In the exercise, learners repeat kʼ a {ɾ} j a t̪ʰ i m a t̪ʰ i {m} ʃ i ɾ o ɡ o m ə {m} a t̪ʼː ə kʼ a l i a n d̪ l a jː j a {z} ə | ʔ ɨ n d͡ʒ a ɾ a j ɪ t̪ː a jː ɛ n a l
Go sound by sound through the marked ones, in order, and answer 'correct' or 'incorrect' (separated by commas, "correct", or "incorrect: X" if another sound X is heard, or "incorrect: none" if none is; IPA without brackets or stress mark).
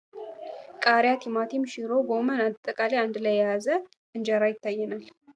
correct, correct, incorrect: n, correct